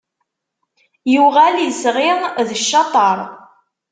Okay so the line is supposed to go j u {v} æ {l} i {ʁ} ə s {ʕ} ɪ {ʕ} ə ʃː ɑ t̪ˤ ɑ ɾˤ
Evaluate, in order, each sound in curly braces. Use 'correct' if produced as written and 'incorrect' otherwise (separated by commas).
incorrect, correct, incorrect, incorrect, incorrect